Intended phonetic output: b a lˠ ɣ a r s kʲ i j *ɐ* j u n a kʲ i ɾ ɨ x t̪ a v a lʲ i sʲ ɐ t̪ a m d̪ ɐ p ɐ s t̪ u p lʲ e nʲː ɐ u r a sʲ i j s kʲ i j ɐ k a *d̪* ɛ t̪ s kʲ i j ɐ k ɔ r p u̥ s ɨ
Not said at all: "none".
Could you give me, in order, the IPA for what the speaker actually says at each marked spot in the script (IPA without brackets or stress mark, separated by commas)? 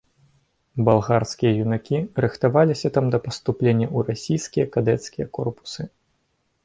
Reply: ɐ, d̪